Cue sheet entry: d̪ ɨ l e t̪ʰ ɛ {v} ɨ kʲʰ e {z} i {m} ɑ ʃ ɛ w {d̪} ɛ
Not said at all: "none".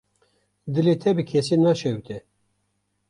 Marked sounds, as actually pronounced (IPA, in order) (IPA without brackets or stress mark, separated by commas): b, s, n, t̪